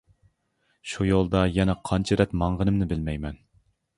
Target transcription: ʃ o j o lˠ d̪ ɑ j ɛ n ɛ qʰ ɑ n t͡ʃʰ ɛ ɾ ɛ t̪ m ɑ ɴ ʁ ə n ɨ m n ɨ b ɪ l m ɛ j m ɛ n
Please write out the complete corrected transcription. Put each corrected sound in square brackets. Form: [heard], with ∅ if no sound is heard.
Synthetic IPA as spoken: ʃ [u] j o lˠ d̪ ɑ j ɛ n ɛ qʰ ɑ n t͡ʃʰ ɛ ɾ ɛ t̪ m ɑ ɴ ʁ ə n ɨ m n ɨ b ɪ l m ɛ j m ɛ n